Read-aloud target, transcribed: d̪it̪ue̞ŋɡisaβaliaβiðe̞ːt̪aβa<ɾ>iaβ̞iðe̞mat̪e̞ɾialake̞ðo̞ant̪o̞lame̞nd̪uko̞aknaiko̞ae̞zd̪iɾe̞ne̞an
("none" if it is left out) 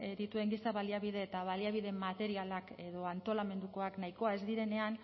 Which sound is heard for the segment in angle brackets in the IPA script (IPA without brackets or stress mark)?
l